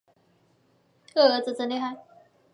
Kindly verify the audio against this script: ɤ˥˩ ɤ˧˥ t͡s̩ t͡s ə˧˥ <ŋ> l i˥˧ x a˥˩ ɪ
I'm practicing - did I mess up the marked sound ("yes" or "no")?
yes